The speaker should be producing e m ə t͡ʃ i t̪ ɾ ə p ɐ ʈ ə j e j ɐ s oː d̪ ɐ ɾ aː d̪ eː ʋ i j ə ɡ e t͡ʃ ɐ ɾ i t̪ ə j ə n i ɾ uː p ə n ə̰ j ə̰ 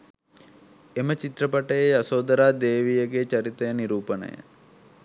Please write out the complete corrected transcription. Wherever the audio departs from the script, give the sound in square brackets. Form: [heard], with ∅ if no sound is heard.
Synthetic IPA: e m ə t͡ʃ i t̪ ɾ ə p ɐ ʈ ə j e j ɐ s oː d̪ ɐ ɾ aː d̪ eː ʋ i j ə ɡ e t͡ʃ ɐ ɾ i t̪ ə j ə n i ɾ uː p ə n ə̰ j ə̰